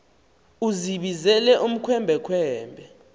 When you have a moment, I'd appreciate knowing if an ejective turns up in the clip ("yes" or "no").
no